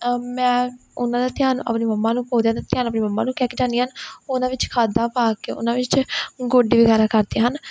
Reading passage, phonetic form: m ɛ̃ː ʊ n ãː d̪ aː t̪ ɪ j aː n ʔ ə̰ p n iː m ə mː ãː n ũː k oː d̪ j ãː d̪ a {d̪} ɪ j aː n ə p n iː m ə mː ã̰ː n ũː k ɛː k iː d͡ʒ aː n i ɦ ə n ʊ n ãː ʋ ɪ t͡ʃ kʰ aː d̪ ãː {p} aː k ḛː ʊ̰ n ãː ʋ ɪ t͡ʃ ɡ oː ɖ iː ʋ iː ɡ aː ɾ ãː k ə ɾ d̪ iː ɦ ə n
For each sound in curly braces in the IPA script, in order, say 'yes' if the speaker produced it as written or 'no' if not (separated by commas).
no, yes